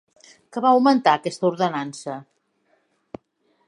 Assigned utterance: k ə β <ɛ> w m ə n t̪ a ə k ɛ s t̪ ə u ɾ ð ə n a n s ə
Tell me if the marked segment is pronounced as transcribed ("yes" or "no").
no